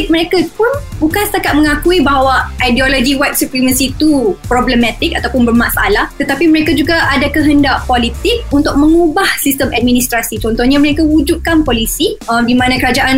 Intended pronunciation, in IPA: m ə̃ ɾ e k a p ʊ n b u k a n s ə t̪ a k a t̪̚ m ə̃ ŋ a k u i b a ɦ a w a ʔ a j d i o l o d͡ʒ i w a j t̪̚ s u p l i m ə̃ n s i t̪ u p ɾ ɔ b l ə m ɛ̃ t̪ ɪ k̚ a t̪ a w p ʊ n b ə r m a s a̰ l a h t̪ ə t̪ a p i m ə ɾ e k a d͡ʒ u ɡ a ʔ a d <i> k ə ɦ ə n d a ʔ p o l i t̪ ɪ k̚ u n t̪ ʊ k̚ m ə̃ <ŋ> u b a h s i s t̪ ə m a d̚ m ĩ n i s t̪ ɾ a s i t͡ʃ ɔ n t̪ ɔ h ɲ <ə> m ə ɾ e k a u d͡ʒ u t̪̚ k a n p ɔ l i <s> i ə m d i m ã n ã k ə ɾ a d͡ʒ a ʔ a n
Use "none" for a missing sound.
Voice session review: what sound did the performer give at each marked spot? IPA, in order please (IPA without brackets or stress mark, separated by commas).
a, ŋ, a, s